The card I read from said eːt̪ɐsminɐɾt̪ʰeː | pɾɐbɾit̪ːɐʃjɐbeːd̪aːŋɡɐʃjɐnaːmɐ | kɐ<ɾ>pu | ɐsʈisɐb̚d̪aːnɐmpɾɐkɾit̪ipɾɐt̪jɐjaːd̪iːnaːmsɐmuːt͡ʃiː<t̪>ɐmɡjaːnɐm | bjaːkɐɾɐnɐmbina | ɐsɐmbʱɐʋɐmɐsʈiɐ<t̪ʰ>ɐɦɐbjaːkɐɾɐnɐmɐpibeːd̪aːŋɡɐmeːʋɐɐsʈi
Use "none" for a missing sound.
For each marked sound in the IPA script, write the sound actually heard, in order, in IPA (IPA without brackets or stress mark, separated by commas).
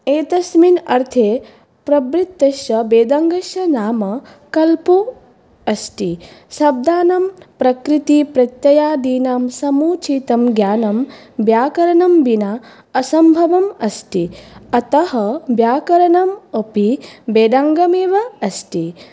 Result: l, t̪, t̪